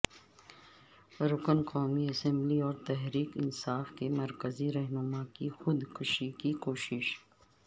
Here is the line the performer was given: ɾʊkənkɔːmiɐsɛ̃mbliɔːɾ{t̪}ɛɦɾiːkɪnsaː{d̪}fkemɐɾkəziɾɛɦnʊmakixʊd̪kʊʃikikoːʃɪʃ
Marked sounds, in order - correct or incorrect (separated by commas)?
correct, incorrect